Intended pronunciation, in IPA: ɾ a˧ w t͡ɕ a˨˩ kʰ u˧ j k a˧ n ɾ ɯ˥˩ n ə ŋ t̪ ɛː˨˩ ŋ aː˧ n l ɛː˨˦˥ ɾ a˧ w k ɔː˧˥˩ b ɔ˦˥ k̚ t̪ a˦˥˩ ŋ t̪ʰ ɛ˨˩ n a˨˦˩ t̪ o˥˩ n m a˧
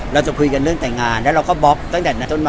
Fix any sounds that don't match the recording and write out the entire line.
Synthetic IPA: ɾ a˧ w t͡ɕ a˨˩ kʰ u˧ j k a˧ n ɾ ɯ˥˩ ə ŋ t̪ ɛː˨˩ ŋ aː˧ n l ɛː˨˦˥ ɾ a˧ w k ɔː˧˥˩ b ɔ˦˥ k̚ t̪ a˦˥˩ ŋ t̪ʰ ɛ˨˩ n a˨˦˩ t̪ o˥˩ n m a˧